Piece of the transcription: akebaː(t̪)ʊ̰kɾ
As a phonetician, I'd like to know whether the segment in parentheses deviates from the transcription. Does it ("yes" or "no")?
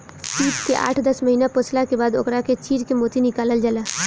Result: yes